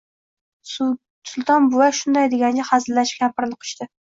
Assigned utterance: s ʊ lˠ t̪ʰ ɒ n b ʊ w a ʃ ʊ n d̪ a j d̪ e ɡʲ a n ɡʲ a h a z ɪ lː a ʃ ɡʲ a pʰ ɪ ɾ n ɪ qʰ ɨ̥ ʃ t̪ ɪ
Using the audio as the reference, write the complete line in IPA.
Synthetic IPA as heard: s ʊ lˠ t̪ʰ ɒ n b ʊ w a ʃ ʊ n d̪ a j d̪ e ɡʲ a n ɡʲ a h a z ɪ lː a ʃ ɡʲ a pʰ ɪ ɾ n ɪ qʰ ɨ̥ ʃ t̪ ɪ